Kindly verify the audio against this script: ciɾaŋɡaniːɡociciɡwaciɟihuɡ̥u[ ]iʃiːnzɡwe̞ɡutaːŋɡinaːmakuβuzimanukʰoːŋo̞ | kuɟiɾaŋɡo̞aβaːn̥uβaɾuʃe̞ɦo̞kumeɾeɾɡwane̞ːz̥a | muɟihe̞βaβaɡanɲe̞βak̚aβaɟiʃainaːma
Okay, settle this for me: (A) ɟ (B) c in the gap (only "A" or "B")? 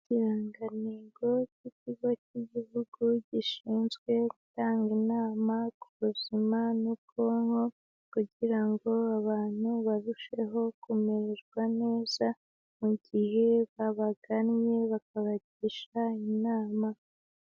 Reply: A